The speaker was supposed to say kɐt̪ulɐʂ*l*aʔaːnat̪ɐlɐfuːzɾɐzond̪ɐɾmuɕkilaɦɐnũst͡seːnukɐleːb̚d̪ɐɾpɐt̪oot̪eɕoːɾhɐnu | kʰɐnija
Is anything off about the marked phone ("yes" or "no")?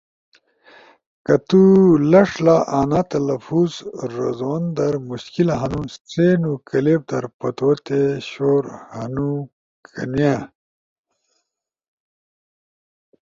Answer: no